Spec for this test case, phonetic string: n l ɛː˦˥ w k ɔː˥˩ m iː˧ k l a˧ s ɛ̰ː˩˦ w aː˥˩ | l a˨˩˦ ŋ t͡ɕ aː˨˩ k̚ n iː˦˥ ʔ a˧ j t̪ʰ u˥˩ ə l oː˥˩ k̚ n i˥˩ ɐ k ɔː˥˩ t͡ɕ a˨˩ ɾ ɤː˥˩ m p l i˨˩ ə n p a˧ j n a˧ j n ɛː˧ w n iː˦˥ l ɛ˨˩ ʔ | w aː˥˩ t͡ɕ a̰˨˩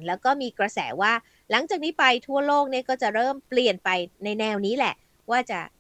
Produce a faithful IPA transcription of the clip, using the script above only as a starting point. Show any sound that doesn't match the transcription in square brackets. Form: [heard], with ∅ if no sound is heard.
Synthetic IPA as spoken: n l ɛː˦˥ w k ɔː˥˩ m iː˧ k [ɾ] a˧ s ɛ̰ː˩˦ w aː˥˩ | l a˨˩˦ ŋ t͡ɕ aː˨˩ k̚ n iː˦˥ [p] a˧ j t̪ʰ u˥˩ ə l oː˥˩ k̚ n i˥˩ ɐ k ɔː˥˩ t͡ɕ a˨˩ ɾ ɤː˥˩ m p l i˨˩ ə n p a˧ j n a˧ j n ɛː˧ w n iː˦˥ l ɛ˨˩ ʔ | w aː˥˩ t͡ɕ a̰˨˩